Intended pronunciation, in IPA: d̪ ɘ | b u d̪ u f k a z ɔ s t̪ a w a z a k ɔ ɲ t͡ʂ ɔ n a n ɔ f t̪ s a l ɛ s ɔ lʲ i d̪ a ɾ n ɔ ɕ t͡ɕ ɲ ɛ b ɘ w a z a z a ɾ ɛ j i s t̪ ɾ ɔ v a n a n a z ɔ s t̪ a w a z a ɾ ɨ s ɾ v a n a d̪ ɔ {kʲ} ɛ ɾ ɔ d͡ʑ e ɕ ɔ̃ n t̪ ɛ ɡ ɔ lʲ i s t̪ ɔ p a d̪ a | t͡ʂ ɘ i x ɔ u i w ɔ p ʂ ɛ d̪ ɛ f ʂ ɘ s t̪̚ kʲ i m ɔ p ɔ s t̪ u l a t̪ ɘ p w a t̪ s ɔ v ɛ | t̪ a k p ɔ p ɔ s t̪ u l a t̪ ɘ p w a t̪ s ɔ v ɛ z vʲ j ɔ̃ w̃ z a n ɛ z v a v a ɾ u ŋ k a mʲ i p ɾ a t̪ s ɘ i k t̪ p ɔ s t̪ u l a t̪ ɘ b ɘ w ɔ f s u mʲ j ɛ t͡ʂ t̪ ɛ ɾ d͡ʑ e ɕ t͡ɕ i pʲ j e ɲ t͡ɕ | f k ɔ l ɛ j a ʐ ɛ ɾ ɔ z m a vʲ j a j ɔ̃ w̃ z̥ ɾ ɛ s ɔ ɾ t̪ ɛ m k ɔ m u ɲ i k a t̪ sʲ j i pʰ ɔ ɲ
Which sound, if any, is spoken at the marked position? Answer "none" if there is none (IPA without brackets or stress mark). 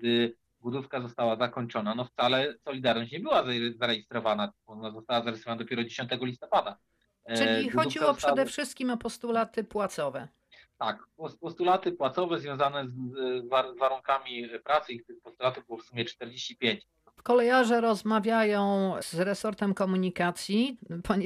pʲ